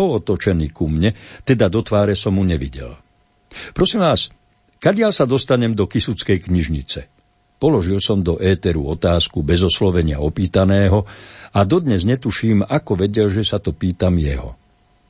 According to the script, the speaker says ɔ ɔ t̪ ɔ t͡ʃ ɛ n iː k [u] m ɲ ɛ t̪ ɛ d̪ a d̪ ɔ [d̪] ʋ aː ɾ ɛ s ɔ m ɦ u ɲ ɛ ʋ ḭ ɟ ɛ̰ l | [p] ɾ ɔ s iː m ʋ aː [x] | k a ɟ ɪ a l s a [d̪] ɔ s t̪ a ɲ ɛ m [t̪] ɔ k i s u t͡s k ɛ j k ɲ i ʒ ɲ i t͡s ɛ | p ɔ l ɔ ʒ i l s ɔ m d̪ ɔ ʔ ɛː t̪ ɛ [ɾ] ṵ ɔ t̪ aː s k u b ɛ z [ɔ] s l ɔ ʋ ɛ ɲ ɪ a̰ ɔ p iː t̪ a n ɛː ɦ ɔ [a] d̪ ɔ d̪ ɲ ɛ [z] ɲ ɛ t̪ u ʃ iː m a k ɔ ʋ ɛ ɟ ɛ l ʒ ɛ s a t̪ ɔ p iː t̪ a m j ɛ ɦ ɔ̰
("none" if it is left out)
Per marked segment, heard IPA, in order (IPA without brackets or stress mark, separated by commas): u, t̪, p, s, d̪, d̪, ɾ, ɔ, a, z